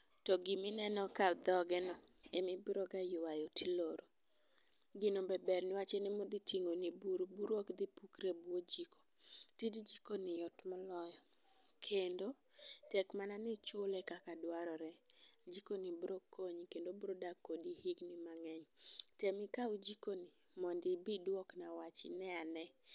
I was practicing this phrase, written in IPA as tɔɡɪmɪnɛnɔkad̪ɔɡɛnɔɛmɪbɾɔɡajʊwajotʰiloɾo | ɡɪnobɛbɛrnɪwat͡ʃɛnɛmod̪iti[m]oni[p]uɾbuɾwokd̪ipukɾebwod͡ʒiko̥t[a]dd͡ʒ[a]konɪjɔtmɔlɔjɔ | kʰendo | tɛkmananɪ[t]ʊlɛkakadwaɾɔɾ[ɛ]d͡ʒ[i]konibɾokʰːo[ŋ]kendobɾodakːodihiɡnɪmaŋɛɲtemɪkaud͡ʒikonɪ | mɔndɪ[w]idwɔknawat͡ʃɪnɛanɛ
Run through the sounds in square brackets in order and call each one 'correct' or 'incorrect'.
incorrect: ŋ, incorrect: b, incorrect: i, incorrect: i, incorrect: t͡ʃ, correct, correct, incorrect: ɲ, incorrect: b

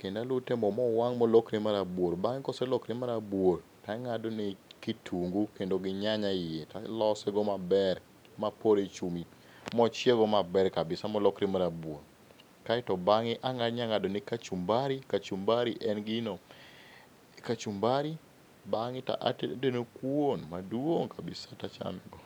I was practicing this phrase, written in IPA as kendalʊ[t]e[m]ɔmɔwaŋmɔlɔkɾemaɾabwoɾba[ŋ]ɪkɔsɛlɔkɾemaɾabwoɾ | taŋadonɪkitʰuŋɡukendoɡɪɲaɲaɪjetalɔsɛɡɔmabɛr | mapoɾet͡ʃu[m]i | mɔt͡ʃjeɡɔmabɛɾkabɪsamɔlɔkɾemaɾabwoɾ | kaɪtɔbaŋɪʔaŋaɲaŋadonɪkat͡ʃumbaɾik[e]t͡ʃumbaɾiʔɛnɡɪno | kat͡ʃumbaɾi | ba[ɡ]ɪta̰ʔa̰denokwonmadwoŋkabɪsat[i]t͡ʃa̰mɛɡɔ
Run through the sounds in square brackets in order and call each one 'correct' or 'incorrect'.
correct, correct, correct, correct, incorrect: a, incorrect: ŋ, incorrect: a

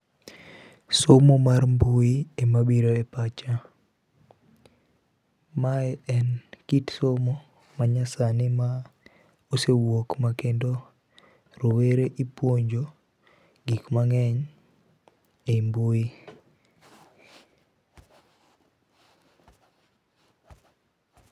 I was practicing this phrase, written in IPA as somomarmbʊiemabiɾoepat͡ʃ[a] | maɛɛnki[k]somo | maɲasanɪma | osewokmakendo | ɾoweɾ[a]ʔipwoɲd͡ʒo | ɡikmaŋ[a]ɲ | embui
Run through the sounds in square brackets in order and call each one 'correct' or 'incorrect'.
correct, incorrect: t, incorrect: e, incorrect: ɛ

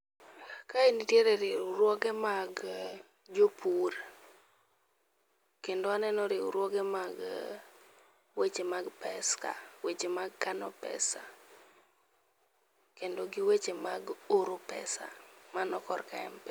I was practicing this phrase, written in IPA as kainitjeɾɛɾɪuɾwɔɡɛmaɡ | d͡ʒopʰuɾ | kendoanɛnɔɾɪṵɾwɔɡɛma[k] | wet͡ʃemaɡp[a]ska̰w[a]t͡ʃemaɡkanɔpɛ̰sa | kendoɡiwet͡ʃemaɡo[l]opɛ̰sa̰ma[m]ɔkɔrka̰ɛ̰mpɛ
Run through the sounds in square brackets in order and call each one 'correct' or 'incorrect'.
incorrect: ɡ, incorrect: ɛ, incorrect: e, incorrect: ɾ, incorrect: n

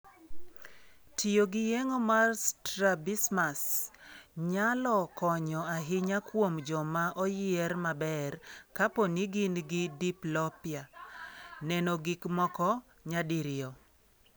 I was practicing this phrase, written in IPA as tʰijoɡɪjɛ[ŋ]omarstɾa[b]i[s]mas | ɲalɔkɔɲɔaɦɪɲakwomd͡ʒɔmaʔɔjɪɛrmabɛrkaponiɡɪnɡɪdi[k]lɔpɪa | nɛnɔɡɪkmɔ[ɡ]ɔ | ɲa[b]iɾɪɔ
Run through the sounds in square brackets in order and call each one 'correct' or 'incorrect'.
correct, correct, correct, incorrect: p, incorrect: k, incorrect: d

